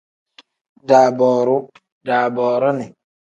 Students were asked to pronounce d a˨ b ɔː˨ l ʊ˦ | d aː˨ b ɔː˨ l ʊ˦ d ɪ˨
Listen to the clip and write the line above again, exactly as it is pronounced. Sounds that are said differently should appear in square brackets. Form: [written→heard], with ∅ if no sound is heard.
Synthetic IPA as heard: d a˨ b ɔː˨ [l→ɾ] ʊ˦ | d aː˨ b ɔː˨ [l→ɾ] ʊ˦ [d→n] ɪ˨